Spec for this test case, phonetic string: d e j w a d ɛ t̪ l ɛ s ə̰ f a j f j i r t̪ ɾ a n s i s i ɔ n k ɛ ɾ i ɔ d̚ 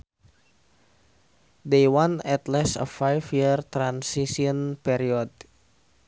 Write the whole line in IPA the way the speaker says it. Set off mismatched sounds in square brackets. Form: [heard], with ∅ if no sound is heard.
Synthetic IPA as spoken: d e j w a [n] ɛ t̪ l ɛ s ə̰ f a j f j i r t̪ ɾ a n s i s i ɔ n [p] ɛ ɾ i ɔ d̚